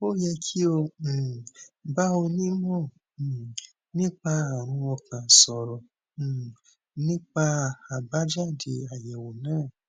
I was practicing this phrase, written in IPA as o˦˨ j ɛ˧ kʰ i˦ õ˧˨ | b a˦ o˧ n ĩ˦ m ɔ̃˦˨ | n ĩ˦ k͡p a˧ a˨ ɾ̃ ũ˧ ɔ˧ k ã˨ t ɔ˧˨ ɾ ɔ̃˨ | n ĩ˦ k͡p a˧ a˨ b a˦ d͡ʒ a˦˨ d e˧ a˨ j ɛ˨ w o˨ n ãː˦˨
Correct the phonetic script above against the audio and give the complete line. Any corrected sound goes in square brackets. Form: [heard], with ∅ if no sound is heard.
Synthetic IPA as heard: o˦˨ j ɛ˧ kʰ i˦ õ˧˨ | b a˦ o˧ n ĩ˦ m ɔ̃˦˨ | n ĩ˦ k͡p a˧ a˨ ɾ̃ ũ˧ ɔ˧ k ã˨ [s] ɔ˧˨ ɾ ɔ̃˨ | n ĩ˦ k͡p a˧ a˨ b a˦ d͡ʒ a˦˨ d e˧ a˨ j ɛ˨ w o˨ n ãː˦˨